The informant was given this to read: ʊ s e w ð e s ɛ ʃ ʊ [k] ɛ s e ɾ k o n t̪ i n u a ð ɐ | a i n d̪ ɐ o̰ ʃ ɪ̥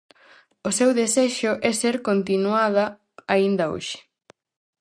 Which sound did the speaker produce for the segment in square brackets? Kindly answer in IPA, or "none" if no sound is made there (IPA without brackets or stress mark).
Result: ʔ